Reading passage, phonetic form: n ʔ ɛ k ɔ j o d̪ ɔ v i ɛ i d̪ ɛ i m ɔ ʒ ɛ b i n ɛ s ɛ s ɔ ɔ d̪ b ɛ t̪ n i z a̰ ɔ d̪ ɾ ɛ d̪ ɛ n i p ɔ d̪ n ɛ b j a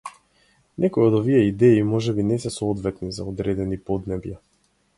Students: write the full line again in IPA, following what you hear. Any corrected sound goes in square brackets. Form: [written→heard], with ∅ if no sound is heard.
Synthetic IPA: n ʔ ɛ k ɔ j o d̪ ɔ v i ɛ i d̪ ɛ i m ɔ ʒ ɛ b i n ɛ s ɛ s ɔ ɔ d̪ [b→v] ɛ t̪ n i z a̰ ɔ d̪ ɾ ɛ d̪ ɛ n i p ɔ d̪ n ɛ b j a